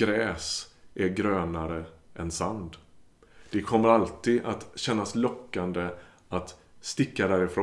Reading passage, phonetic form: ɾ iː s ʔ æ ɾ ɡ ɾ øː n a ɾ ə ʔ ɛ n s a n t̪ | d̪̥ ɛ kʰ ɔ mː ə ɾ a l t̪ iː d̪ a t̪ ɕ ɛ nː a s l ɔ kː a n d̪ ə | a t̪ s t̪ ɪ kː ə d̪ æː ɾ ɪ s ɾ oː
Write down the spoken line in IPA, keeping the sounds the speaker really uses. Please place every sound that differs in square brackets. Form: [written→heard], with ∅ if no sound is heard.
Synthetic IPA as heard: ɾ [iː→ɛː] s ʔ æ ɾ ɡ ɾ øː n a ɾ ə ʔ ɛ n s a n [t̪→d̪] | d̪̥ ɛ kʰ ɔ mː ə ɾ a l t̪ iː d̪ a t̪ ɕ ɛ nː a s l ɔ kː a n d̪ ə | a t̪ s t̪ ɪ kː [ə→a] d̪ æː ɾ ɪ [s→f] ɾ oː